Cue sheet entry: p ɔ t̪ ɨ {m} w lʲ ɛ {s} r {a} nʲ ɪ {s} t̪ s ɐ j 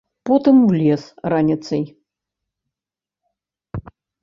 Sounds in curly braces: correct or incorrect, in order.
correct, correct, correct, incorrect

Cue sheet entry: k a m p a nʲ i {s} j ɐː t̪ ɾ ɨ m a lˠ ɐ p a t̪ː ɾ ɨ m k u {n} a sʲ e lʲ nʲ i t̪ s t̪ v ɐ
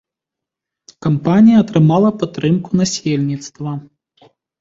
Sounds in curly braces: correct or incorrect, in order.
incorrect, correct

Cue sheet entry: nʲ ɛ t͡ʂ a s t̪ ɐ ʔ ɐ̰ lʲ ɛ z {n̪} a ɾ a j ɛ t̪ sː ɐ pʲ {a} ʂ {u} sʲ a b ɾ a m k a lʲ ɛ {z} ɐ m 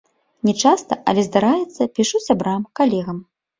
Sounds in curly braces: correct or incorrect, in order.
incorrect, incorrect, correct, incorrect

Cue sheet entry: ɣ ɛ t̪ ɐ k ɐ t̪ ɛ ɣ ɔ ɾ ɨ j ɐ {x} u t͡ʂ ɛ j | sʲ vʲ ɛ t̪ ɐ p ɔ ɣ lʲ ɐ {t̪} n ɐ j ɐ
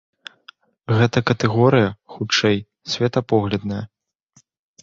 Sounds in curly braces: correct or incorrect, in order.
correct, incorrect

